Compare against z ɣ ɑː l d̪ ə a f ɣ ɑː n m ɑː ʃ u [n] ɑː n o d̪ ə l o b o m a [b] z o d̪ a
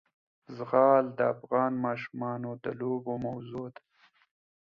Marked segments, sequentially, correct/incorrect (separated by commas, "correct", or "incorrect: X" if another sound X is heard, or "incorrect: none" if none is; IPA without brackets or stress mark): incorrect: m, incorrect: w